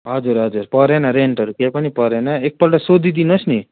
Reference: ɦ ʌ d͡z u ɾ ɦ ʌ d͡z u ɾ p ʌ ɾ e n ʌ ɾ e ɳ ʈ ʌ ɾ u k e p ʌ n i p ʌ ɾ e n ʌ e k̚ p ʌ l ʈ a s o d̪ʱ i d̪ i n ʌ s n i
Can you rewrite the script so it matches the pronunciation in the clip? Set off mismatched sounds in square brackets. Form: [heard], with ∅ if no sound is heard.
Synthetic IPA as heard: ɦ ʌ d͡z u ɾ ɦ ʌ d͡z u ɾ p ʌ ɾ e n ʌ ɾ e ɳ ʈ ʌ ɾ u k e p ʌ n i p ʌ ɾ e n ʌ e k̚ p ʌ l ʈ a s o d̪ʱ i d̪ i n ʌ s n i